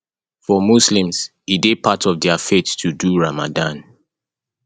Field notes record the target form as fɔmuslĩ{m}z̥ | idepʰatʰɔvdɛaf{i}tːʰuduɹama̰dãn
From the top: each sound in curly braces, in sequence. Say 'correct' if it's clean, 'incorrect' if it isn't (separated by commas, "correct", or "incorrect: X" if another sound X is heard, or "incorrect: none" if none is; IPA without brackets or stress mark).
correct, incorrect: e